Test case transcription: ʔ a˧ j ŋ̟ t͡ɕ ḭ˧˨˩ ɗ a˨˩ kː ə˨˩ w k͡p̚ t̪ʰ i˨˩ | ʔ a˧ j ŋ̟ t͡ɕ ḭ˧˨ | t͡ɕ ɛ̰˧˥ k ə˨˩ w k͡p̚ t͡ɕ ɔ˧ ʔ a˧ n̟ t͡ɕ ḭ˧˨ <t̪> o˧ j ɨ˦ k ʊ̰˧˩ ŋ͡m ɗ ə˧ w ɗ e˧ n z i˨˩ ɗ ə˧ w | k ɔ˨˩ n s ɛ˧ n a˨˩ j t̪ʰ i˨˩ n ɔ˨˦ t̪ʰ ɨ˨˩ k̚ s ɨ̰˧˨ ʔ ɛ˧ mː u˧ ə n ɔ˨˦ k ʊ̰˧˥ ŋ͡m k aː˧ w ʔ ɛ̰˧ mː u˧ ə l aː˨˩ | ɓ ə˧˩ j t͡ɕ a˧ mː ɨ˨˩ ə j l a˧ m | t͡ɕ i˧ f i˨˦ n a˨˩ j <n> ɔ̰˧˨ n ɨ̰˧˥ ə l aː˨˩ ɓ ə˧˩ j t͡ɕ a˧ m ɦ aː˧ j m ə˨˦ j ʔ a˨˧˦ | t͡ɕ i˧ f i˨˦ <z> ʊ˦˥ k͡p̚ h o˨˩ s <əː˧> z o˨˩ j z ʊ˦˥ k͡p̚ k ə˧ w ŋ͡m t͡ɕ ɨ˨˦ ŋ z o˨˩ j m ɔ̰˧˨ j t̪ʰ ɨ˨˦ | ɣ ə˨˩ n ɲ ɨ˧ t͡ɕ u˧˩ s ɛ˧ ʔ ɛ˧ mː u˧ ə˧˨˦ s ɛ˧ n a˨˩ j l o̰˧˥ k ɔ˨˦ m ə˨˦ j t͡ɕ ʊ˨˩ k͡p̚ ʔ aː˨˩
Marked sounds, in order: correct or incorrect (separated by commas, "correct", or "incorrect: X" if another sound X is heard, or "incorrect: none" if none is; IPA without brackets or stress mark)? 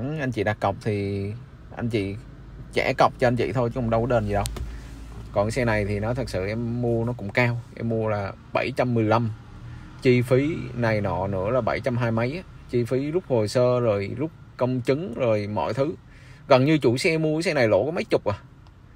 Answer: incorrect: t̪ʰ, correct, correct, correct